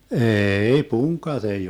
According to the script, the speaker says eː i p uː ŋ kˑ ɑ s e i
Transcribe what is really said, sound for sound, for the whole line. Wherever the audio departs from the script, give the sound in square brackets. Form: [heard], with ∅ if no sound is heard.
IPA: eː i p [u] ŋ kˑ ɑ [t] e i